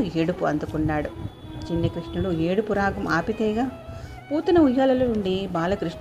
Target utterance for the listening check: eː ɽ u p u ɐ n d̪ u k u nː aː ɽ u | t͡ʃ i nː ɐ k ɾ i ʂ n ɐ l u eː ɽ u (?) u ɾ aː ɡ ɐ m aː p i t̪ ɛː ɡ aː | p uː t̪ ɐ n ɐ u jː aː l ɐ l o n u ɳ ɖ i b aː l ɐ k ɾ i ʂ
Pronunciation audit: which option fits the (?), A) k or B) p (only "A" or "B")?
B